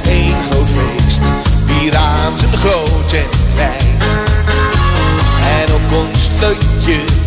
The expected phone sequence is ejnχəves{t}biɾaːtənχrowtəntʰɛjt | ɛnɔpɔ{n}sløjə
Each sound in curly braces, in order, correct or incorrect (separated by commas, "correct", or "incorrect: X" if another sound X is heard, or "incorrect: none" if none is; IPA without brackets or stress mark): correct, correct